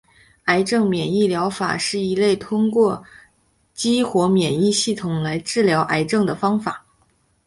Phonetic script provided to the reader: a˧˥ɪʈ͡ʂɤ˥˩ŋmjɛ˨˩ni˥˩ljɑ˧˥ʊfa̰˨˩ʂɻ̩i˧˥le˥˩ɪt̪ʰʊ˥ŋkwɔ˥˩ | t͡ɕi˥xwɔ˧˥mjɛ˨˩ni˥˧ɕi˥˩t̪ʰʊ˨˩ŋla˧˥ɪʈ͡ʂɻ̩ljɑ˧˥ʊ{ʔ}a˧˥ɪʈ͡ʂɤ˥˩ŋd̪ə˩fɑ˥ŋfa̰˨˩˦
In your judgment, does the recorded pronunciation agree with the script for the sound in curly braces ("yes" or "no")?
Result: yes